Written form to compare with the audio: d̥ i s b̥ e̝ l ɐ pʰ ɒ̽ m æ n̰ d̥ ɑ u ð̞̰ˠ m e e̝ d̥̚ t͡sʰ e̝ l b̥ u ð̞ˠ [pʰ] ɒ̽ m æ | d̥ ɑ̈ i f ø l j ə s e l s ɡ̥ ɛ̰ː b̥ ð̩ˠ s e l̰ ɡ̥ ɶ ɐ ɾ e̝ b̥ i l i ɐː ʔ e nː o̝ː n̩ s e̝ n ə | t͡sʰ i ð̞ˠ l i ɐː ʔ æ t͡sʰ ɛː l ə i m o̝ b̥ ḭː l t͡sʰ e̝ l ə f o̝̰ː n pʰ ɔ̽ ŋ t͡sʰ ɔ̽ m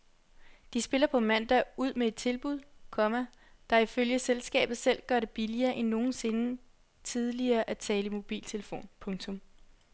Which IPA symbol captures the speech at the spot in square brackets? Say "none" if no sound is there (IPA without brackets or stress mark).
kʰ